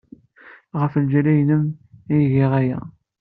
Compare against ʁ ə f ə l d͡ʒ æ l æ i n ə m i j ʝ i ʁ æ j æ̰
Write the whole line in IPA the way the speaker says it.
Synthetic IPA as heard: ʁ ə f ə l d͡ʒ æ l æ j n ə m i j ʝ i ʁ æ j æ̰